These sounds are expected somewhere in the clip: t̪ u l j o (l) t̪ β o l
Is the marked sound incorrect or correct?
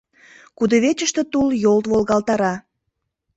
correct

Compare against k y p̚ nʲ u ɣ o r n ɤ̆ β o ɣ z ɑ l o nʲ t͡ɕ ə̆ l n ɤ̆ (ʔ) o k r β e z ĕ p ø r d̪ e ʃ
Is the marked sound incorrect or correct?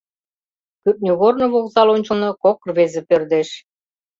incorrect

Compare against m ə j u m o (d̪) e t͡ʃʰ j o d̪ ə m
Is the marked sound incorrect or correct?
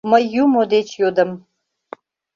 correct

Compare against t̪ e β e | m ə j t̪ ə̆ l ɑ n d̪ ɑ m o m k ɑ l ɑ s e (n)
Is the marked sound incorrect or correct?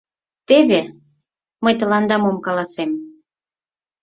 incorrect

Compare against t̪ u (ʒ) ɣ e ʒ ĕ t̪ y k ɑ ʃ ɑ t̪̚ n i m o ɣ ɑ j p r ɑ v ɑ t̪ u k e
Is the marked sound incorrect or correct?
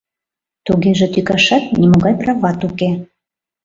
incorrect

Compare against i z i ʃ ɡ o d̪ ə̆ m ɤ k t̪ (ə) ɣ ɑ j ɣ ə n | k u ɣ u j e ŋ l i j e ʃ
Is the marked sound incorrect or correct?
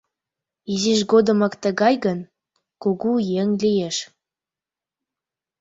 correct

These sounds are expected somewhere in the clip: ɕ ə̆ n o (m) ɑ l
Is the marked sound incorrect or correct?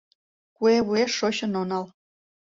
incorrect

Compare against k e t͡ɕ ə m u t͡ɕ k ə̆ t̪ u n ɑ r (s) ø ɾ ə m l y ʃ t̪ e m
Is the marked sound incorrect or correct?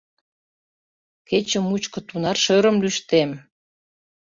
incorrect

